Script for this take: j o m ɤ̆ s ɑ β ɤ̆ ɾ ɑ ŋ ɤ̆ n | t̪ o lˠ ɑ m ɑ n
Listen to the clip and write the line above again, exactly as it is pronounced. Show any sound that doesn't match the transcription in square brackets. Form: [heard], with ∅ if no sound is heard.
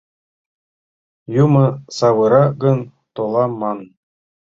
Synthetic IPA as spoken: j [u] m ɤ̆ s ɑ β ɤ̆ ɾ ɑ [ɡ] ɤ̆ n | t̪ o lˠ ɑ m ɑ n